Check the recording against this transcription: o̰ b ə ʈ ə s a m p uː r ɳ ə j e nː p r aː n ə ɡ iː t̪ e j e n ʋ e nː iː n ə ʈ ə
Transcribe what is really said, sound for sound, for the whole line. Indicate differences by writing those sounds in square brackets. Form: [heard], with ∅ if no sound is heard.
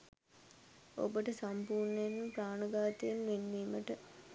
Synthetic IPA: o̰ b ə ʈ ə s a m p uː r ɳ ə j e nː p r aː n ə ɡ [aː] t̪ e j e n ʋ e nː iː [m] ə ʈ ə